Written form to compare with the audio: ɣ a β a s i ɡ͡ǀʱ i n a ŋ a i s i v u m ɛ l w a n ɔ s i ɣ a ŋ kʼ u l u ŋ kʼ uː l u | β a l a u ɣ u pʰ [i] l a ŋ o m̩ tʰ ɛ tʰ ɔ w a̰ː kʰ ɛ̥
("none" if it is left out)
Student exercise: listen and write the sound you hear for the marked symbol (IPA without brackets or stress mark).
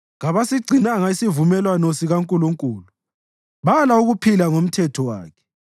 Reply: i